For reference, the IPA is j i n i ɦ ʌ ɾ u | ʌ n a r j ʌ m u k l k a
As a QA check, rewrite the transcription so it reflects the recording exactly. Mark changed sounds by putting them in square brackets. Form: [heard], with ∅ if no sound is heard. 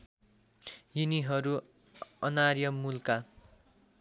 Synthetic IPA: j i n i ɦ ʌ ɾ u | ʌ n a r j ʌ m u [∅] l k a